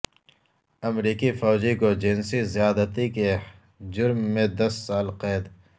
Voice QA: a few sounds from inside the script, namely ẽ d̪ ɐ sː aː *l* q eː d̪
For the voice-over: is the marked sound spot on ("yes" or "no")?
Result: yes